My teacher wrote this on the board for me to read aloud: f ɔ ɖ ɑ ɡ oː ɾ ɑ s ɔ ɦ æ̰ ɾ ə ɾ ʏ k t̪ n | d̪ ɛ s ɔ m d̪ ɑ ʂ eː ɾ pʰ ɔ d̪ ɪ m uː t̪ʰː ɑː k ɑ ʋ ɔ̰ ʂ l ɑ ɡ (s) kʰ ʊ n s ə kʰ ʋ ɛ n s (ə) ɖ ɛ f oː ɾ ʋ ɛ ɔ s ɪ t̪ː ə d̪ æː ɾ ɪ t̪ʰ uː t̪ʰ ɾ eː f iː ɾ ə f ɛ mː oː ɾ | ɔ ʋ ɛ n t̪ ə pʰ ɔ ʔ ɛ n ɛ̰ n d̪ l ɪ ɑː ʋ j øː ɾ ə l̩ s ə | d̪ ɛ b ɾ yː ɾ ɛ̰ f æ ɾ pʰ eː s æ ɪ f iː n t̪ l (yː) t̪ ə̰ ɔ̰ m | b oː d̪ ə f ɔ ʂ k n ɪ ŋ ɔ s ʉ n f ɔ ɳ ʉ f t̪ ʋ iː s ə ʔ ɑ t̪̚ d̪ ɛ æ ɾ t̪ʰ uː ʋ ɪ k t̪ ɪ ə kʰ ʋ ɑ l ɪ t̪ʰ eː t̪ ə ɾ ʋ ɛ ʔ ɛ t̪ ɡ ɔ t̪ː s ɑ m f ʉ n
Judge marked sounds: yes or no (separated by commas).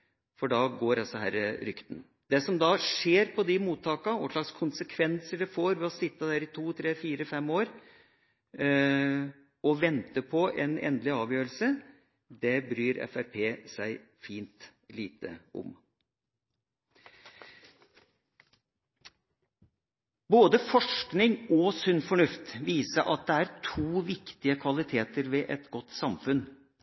yes, yes, no